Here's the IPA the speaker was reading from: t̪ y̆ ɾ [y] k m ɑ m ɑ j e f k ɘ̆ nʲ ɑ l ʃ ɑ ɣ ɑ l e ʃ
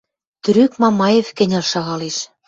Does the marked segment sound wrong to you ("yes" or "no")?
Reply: no